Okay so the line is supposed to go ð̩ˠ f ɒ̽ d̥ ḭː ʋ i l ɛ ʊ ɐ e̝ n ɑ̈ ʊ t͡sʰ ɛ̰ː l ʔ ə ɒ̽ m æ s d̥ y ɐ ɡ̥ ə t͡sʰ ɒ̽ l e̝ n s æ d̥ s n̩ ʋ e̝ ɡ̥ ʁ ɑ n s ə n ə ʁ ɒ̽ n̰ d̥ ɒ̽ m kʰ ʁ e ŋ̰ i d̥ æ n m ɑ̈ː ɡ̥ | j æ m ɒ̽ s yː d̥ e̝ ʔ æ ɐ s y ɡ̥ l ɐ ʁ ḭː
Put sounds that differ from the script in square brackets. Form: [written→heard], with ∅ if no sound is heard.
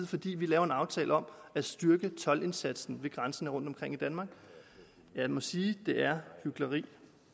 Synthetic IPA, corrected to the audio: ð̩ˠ f ɒ̽ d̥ ḭː ʋ i l [ɛ→ɛː] ʊ ɐ e̝ n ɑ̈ ʊ t͡sʰ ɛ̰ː l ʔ ə ɒ̽ m æ s d̥ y ɐ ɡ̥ ə t͡sʰ ɒ̽ l e̝ n s æ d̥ s n̩ ʋ e̝ ɡ̥ ʁ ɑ n s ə n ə ʁ [ɒ̽→ɔ̽] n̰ d̥ ɒ̽ m kʰ ʁ e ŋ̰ i d̥ æ n m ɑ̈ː ɡ̥ | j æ m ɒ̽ s [yː→iː] d̥ e̝ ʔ æ ɐ [s→h] y ɡ̥ l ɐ ʁ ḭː